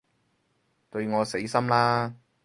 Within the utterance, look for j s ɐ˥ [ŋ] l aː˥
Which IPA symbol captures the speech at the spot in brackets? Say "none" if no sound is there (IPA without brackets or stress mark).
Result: m